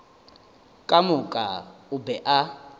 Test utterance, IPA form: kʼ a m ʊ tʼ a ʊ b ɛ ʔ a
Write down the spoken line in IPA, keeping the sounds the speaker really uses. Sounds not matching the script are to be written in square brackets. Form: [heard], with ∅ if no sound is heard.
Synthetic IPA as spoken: kʼ a m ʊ [kʼ] a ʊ b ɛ ʔ a